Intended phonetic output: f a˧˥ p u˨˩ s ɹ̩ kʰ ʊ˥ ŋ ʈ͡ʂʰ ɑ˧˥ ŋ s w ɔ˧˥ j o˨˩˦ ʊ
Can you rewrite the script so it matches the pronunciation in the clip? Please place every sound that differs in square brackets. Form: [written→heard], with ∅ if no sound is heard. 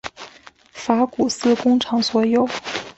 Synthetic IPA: f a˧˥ [p→k] u˨˩ s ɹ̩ [kʰ→k] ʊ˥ ŋ ʈ͡ʂʰ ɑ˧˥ ŋ s w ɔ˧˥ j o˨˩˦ ʊ